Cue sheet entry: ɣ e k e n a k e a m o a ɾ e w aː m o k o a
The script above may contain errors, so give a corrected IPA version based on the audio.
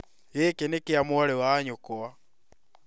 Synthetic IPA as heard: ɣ e k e n e k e a m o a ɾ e w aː ɲ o k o a